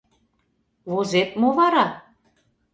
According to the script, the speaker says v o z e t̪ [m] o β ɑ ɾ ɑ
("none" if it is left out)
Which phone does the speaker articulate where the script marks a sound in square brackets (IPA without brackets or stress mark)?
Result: m